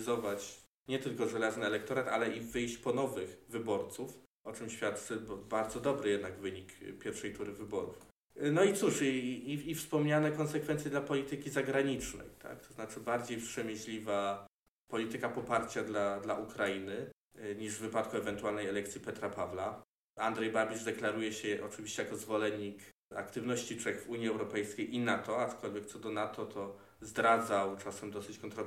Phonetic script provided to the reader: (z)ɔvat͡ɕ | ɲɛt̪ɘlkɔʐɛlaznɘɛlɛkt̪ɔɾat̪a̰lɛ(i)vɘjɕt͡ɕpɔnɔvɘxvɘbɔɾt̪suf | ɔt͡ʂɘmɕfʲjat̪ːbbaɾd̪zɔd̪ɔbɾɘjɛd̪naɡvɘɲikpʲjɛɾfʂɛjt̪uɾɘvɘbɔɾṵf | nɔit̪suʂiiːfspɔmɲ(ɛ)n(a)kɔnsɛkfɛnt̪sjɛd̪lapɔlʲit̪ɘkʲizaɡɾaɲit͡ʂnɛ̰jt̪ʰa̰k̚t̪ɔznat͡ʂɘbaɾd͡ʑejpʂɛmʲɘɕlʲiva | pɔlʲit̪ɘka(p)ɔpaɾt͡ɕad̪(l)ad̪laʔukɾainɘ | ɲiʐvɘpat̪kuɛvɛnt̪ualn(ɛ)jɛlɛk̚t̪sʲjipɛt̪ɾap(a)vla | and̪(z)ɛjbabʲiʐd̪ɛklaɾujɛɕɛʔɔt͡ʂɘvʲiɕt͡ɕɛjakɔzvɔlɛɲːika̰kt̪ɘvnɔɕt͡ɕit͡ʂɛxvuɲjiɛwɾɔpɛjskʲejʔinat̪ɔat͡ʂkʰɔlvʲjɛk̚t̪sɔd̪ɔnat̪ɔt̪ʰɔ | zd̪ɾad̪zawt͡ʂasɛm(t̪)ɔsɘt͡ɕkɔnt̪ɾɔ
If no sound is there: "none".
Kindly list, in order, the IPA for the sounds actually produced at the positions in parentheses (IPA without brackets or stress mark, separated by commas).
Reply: z, i, a, ɛ, p, l, ɛ, a, ʐ, d̪